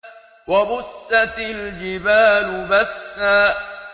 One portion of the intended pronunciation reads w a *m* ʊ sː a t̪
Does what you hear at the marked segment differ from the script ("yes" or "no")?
yes